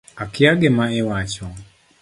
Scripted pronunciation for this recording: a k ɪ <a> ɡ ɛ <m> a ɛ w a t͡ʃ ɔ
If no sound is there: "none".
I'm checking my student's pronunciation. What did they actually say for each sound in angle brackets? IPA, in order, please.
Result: a, m

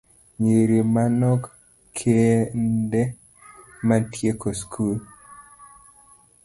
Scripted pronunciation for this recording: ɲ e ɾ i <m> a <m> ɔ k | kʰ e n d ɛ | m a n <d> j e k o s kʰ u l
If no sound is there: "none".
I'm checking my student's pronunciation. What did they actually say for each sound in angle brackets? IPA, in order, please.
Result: m, n, t

